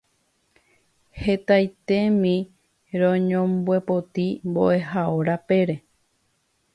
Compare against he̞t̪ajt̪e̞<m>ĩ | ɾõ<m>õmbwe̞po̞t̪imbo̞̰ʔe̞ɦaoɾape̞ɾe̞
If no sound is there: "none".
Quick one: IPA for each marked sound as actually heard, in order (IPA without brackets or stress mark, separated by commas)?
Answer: m, ɲ